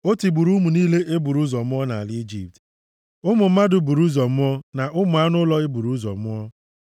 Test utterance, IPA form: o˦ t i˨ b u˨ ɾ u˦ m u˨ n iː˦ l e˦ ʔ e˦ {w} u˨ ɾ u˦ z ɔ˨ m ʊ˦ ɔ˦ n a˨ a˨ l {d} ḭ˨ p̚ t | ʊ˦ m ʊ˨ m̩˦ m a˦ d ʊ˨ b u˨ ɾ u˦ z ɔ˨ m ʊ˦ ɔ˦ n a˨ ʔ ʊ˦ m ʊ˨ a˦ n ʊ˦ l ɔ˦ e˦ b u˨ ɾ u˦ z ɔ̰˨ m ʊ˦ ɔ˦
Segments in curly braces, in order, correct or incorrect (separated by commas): incorrect, incorrect